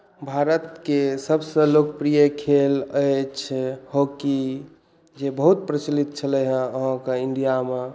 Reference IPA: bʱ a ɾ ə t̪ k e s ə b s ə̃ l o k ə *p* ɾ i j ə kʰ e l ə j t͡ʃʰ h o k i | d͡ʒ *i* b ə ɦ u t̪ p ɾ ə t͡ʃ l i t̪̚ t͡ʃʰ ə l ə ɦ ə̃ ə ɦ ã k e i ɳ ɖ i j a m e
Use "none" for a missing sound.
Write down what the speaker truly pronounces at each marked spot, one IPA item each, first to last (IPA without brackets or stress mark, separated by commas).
p, e